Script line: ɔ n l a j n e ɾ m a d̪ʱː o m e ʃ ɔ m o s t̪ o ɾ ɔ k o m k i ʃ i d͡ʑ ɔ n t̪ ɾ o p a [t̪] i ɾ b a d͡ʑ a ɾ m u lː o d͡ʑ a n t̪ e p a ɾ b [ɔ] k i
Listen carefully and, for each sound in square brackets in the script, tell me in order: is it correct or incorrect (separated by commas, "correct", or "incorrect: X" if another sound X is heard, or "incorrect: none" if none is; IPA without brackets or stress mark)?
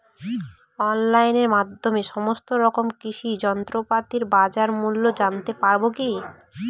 correct, incorrect: o